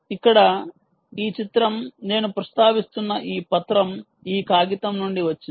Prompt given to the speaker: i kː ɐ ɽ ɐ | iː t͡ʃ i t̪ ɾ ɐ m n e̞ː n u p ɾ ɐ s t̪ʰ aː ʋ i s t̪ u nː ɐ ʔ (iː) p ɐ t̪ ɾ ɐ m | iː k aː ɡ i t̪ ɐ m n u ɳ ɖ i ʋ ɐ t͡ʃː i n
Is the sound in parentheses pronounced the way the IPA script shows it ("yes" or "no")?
yes